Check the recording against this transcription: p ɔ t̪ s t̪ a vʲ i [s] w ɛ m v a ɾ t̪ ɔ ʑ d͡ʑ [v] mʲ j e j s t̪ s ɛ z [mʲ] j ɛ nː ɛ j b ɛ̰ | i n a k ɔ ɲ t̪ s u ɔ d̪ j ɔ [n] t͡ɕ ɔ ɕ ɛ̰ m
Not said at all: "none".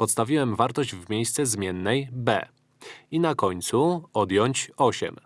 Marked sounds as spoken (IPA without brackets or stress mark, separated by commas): none, v, mʲ, ɲ